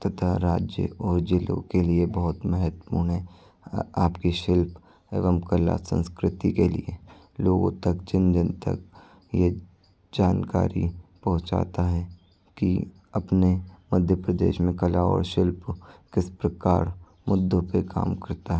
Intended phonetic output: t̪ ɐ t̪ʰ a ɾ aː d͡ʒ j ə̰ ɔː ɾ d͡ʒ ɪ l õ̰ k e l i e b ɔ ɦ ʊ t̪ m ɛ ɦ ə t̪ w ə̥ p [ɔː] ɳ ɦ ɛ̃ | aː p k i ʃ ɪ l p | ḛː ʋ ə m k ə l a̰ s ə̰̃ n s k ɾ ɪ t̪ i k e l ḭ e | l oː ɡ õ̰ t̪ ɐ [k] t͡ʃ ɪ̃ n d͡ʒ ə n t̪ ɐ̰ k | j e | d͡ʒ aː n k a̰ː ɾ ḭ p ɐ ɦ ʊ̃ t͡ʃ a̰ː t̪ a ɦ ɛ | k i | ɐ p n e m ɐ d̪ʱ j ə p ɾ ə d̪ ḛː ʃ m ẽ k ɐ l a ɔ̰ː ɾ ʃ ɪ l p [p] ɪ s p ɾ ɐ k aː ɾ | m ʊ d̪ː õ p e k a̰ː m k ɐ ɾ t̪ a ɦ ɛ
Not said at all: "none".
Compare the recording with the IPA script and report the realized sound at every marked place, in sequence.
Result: uː, k, k

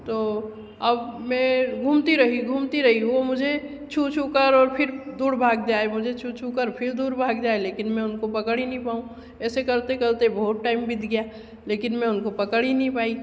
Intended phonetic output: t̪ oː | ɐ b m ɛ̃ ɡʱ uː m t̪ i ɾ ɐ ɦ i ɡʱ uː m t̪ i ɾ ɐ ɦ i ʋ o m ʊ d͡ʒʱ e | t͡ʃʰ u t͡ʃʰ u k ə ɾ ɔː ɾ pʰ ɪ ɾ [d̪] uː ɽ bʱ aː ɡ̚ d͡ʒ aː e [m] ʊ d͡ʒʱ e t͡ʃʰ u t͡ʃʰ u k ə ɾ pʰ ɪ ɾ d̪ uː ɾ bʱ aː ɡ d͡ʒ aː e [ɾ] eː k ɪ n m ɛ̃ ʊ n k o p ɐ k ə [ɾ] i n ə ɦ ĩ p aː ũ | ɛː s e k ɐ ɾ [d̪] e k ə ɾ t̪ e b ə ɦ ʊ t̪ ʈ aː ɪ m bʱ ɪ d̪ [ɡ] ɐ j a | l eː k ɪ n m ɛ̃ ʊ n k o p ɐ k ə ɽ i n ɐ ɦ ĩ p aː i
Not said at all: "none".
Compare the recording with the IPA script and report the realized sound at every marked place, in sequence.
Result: d̪, m, l, ɽ, t̪, ɡ

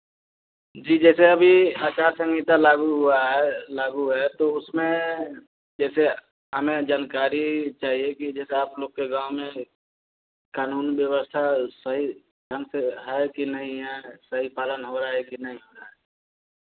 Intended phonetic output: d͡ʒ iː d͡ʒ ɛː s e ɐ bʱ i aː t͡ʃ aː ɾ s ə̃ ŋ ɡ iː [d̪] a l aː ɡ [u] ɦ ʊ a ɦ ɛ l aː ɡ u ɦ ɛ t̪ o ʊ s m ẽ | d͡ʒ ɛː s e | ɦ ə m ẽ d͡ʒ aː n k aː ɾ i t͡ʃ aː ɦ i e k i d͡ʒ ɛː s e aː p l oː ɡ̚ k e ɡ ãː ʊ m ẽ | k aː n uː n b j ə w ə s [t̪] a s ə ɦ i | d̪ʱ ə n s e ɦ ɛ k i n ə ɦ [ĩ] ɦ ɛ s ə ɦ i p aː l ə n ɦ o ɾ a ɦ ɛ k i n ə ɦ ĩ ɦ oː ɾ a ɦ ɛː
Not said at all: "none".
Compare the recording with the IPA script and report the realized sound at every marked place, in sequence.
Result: t̪, u, t̪ʰ, ĩ

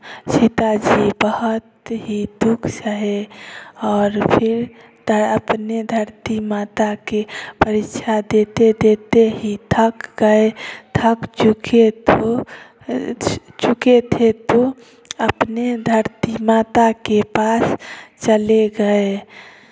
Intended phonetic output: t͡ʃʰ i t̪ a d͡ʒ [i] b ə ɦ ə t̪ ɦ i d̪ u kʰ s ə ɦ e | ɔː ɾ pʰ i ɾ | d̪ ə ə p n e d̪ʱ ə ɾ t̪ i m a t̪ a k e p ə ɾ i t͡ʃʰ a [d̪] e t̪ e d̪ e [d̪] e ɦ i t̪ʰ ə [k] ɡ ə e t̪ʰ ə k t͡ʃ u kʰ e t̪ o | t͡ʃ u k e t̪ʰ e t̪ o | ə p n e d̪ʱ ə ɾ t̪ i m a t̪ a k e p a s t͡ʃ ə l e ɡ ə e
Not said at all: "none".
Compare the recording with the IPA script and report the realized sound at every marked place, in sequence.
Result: i, d̪, t̪, k

